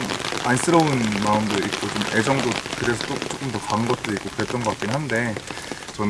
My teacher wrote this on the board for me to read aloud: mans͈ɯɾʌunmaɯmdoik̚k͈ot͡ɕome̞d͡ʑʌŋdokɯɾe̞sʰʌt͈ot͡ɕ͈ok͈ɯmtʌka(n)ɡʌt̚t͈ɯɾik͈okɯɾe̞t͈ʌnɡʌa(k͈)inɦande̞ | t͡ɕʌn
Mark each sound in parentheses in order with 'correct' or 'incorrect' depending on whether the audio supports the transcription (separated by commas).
incorrect, correct